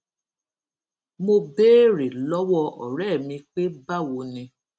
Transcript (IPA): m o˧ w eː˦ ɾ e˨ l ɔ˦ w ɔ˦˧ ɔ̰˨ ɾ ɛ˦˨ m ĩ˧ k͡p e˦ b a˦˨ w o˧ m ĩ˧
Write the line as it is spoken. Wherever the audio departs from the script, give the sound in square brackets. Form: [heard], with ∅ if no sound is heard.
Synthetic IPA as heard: m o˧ [b] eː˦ ɾ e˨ l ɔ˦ w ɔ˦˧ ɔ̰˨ ɾ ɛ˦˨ m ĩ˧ k͡p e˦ b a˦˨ w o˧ [n] ĩ˧